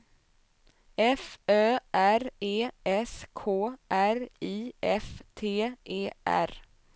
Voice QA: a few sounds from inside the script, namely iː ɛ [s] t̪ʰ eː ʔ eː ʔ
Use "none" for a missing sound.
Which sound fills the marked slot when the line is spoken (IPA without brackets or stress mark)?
f